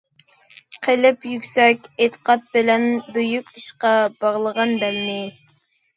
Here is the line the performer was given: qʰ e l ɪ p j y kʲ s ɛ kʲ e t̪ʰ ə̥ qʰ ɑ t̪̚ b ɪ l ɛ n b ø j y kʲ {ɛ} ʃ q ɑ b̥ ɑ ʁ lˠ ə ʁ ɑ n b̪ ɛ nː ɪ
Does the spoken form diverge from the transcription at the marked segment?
yes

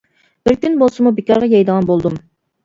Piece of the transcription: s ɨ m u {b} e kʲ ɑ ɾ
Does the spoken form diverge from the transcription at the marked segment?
no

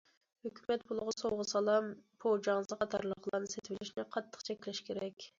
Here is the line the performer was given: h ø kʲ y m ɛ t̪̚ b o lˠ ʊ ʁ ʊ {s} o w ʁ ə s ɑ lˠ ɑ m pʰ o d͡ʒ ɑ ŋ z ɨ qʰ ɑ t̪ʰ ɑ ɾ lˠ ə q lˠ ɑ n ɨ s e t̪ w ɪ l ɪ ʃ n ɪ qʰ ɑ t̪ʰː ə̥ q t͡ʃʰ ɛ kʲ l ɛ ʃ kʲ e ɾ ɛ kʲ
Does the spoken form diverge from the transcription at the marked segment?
no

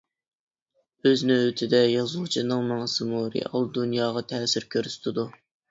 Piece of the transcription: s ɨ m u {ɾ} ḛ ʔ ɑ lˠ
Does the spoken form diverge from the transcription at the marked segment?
no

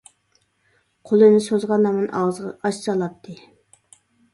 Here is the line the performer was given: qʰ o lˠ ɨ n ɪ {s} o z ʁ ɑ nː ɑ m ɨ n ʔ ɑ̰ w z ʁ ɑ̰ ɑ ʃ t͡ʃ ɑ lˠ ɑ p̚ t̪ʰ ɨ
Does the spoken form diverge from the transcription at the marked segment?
no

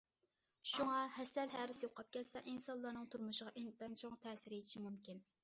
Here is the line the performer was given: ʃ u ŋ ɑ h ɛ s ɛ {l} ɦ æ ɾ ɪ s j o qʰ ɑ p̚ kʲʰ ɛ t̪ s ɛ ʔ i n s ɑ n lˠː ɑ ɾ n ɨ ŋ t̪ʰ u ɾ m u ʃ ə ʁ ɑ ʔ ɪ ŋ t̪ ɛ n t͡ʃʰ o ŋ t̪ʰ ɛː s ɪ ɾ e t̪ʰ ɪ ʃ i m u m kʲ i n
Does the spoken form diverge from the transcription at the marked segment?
no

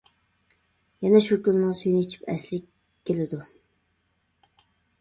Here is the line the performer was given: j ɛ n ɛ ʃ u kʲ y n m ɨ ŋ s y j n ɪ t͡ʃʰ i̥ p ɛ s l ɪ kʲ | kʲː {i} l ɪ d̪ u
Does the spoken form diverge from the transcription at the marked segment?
yes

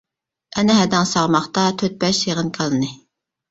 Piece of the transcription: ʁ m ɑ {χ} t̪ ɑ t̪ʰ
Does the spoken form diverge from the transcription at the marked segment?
no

